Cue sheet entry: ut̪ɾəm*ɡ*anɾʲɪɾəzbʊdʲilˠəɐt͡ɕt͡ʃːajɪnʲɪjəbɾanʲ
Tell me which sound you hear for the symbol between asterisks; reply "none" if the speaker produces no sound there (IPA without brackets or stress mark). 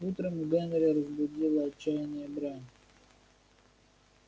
ɡ